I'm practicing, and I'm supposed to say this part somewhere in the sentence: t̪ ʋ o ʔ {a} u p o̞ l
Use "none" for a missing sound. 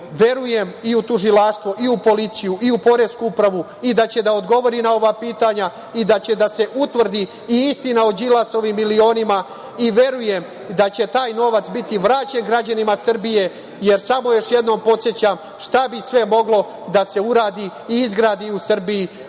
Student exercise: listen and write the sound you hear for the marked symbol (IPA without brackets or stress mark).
i